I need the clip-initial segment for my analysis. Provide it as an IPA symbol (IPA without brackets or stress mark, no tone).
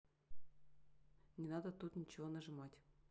nʲ